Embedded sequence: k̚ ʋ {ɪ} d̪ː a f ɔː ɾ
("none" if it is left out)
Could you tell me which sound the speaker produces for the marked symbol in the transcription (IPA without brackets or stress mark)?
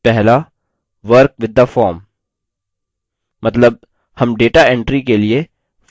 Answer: ɪ